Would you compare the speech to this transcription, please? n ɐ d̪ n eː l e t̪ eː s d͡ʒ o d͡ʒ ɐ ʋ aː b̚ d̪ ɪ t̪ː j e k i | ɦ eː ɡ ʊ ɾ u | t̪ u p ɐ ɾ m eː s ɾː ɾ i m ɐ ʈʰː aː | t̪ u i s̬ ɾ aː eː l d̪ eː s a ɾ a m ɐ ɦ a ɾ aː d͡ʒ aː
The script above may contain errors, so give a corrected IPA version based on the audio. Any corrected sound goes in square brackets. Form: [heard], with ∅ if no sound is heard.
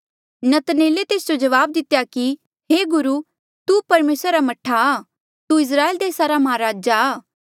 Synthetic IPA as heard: n ɐ [t̪] n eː l e t̪ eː s d͡ʒ o d͡ʒ ɐ ʋ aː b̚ d̪ ɪ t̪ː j [a] k i | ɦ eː ɡ ʊ ɾ u | t̪ u p ɐ ɾ m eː s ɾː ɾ [a] m ɐ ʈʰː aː | t̪ u [ɪ] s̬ ɾ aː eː l d̪ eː s a ɾ a m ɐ ɦ a ɾ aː d͡ʒ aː